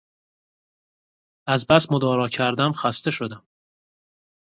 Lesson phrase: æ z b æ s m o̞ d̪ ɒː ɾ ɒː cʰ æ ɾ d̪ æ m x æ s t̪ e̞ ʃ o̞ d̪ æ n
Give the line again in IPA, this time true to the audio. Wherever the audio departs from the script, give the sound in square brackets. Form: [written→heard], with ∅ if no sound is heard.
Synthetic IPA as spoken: æ z b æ s m o̞ d̪ ɒː ɾ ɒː cʰ æ ɾ d̪ æ m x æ s t̪ e̞ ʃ o̞ d̪ æ [n→m]